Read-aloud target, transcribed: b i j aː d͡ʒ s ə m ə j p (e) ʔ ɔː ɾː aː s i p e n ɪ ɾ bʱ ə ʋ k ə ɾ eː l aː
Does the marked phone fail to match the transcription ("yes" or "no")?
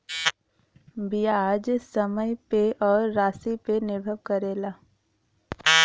no